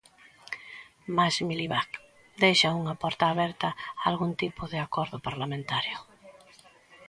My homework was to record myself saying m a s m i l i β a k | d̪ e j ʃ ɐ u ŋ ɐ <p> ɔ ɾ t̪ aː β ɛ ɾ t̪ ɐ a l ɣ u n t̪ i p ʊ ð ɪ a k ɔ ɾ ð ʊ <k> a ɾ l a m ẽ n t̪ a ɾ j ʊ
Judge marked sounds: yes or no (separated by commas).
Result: yes, no